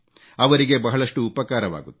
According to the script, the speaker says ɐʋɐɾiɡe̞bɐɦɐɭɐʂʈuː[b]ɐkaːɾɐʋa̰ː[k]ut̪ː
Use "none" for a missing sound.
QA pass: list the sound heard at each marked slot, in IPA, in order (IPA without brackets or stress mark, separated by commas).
p, ɡ